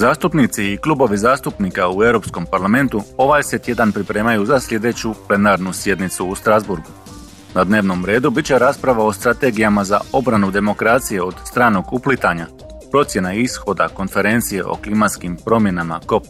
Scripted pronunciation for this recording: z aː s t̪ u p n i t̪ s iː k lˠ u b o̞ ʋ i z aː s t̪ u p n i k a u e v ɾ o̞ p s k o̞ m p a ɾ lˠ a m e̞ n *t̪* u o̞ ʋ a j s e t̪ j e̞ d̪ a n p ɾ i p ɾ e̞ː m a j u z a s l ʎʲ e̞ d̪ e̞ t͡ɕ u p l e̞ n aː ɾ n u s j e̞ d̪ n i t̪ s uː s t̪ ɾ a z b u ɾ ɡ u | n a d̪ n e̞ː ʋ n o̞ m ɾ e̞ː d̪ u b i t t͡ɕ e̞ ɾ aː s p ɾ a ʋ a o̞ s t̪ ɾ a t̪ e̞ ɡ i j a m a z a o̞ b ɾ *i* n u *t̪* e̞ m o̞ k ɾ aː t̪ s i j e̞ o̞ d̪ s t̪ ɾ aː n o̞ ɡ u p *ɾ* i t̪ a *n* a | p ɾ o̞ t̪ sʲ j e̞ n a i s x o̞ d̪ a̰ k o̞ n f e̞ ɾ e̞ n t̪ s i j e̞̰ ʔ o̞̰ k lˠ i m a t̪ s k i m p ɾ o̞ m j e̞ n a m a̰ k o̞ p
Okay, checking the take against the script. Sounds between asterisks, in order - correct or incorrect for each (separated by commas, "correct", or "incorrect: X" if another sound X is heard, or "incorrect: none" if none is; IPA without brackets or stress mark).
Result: correct, incorrect: a, incorrect: d̪, incorrect: l, incorrect: ɲ